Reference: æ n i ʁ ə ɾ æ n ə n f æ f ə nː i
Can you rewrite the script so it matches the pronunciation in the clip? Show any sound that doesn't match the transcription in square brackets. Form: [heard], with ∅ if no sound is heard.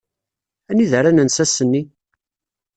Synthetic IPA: æ n i [ð] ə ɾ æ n ə n [s] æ [s] ə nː i